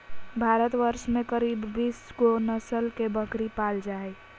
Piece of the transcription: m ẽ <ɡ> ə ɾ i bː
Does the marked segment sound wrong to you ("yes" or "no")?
yes